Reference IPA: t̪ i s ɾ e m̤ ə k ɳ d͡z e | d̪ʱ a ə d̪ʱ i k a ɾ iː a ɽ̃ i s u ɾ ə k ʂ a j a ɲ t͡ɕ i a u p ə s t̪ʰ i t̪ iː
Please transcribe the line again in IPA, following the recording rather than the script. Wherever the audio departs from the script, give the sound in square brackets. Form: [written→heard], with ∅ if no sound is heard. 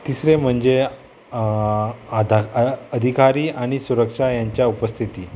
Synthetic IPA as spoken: t̪ i s ɾ e m̤ ə [k→∅] ɳ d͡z e | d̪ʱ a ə d̪ʱ i k a ɾ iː a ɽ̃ i s u ɾ ə k ʂ a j a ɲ t͡ɕ [i→j] a u p ə s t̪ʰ i t̪ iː